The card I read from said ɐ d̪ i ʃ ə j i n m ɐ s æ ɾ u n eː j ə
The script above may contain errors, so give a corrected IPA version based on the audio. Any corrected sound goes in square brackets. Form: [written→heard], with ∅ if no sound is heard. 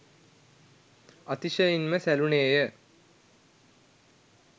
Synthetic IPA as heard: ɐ [d̪→t̪] i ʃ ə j i n m [ɐ→ə] s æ [ɾ→l] u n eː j ə